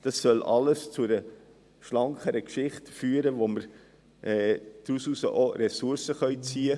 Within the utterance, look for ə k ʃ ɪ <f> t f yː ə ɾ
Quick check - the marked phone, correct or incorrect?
incorrect: χ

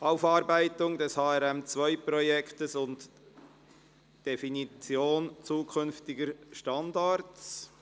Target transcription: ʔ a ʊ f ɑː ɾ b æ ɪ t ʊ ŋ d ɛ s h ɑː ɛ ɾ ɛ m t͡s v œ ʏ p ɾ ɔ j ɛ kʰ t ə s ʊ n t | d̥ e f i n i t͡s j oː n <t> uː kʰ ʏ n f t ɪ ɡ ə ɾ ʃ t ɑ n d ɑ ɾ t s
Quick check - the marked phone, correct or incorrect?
incorrect: t͡s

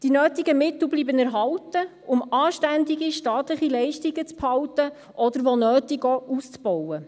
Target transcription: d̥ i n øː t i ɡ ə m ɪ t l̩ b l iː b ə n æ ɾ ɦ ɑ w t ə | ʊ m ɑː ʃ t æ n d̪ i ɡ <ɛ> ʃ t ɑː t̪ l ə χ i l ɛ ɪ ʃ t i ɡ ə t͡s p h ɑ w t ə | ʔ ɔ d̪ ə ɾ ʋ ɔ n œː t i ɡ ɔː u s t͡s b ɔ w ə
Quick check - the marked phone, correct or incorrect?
incorrect: i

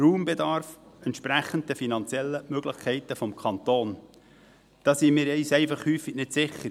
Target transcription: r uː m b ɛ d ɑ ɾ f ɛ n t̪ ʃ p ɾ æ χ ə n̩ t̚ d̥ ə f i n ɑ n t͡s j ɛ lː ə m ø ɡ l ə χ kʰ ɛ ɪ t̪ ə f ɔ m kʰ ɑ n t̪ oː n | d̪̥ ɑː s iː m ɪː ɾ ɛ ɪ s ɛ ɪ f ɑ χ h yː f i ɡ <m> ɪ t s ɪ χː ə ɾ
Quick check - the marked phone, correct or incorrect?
incorrect: n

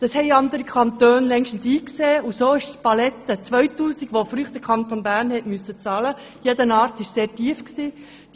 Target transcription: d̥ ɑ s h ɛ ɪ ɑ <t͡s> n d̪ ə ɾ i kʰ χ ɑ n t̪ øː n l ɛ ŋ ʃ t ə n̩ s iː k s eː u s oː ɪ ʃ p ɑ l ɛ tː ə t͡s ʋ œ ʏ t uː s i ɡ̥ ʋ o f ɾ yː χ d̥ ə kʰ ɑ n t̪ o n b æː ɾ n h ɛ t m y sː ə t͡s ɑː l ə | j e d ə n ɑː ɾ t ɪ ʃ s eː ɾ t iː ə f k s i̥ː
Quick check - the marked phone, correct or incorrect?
incorrect: none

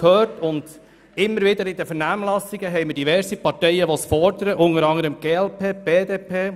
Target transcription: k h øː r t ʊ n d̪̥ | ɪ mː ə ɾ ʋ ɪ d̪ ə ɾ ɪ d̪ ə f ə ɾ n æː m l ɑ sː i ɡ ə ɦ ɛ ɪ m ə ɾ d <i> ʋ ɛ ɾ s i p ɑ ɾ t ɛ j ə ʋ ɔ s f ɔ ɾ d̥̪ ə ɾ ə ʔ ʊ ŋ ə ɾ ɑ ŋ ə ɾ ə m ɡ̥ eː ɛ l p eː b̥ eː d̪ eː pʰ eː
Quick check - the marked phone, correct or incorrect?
correct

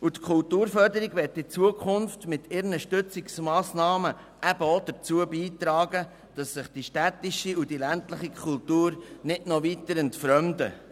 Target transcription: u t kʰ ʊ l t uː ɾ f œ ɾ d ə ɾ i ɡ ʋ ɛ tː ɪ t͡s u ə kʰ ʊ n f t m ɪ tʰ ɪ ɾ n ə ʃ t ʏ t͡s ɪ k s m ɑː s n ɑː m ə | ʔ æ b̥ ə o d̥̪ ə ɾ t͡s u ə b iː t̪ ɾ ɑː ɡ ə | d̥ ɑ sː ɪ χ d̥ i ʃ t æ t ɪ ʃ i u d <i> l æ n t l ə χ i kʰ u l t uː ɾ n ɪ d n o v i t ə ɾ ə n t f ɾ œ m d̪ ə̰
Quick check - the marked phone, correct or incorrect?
correct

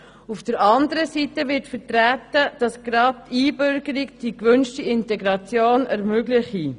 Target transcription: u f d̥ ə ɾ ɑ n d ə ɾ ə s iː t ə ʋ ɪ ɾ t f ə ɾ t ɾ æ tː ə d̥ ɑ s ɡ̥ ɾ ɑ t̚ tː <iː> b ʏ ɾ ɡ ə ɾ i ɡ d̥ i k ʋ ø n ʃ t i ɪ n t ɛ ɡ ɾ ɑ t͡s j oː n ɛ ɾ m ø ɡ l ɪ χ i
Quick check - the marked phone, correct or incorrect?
correct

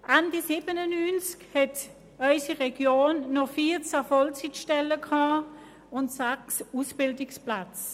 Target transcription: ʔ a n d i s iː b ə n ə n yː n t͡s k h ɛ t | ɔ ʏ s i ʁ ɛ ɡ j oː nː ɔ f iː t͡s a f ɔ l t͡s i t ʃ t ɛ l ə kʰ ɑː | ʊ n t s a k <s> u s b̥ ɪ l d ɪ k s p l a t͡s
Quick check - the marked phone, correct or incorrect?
correct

